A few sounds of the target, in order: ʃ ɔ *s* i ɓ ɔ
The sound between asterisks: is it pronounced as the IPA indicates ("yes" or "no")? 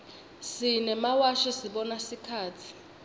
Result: yes